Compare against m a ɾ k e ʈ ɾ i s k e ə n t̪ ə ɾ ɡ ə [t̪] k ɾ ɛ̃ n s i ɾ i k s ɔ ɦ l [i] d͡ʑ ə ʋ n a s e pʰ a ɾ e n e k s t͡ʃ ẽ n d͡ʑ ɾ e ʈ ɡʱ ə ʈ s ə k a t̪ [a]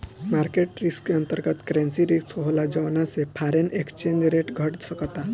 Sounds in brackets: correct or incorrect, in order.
correct, incorrect, correct

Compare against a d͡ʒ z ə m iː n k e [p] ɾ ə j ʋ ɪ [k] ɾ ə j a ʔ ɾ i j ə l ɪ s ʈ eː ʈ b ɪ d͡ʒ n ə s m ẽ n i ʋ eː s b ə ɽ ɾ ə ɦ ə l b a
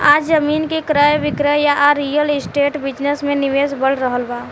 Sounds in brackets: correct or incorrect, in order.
incorrect, correct

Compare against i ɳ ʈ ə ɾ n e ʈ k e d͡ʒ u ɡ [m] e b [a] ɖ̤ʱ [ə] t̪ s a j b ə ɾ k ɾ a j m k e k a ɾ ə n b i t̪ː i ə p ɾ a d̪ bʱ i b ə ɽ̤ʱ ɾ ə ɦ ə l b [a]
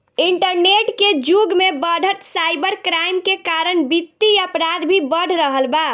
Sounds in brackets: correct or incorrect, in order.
correct, incorrect, correct, correct

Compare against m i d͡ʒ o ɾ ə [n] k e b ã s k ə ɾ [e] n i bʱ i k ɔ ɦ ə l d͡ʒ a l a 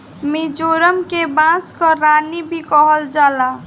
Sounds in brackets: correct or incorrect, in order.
incorrect, incorrect

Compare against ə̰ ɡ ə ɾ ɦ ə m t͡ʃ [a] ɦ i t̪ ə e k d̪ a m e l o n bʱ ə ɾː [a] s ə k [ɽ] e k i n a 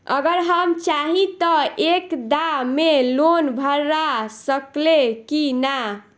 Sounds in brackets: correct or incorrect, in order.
correct, correct, incorrect

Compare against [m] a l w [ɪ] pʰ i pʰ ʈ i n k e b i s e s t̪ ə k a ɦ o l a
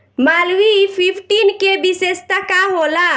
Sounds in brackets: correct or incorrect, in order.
correct, incorrect

